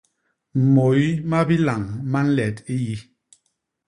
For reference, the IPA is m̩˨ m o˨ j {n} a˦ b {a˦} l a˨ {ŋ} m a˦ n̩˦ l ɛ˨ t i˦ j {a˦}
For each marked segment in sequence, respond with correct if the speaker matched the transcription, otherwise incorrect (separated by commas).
incorrect, incorrect, correct, incorrect